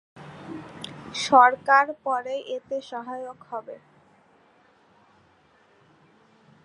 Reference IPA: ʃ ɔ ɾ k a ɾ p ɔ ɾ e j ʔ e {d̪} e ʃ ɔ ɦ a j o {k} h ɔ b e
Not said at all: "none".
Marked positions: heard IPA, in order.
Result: t̪, k

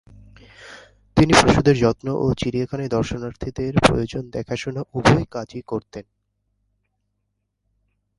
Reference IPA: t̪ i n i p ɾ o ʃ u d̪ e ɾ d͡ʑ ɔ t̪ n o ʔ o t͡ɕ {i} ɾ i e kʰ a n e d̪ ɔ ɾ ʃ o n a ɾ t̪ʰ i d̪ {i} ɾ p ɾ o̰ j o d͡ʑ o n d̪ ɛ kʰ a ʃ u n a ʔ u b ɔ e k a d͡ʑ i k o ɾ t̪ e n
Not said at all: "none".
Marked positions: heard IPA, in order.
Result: i, e

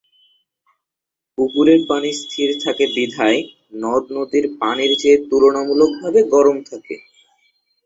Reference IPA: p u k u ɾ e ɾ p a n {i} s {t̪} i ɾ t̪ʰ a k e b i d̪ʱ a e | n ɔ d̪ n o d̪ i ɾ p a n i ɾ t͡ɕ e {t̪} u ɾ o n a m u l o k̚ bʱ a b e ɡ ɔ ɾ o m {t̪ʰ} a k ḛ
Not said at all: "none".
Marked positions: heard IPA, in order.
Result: i, t̪ʰ, t̪, t̪ʰ

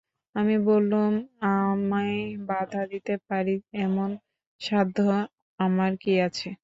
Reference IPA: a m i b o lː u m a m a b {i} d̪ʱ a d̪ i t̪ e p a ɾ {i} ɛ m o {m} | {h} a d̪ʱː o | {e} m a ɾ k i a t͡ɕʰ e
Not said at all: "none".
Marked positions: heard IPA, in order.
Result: a, i, n, ʃ, a

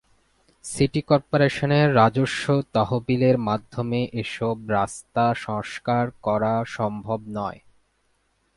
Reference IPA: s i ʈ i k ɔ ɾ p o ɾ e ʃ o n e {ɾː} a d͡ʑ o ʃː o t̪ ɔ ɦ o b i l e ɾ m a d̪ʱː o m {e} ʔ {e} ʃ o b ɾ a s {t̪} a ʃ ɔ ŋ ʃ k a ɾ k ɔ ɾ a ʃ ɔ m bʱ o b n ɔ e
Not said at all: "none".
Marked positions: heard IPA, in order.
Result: ɾː, e, e, t̪

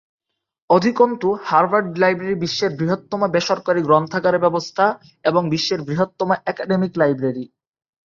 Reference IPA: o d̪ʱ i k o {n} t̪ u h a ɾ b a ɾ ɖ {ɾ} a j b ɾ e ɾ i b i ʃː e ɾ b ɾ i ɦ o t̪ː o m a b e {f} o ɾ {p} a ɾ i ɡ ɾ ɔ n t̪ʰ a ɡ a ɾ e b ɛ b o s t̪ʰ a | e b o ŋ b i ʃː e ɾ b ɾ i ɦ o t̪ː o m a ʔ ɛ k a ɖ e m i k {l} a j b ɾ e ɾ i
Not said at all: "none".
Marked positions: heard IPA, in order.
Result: n, l, ʃ, k, l

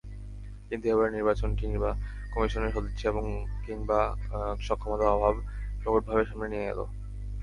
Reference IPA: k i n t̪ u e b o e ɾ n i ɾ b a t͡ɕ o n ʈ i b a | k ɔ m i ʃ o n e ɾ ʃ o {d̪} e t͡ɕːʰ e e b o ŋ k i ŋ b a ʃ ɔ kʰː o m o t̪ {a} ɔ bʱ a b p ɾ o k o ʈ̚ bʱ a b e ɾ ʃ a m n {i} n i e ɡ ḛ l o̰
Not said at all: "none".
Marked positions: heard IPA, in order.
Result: d̪, a, e

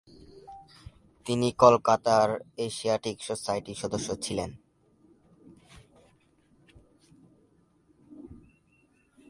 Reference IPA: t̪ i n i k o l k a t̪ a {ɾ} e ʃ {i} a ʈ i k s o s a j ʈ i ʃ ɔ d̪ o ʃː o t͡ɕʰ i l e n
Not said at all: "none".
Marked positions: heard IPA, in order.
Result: ɾ, i

